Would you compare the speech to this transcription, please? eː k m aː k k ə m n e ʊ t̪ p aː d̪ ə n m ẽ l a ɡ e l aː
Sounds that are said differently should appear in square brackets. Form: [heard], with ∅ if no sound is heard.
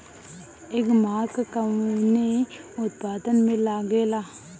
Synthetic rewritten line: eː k m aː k k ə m n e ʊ t̪ p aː d̪ ə n m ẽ l a ɡ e l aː